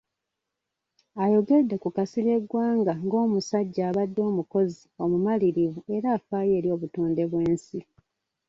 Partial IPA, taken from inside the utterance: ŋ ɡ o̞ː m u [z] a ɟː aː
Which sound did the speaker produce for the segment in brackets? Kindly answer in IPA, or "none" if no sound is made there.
s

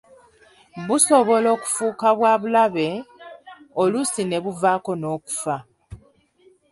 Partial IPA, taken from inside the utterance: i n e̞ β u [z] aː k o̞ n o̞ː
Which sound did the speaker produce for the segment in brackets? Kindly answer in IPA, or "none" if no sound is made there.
v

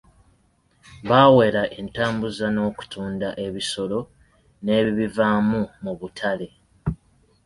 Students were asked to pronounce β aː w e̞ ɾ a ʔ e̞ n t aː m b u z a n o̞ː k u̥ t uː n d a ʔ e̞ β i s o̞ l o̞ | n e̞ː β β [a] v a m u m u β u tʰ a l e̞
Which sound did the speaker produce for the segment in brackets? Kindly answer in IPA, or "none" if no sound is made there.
i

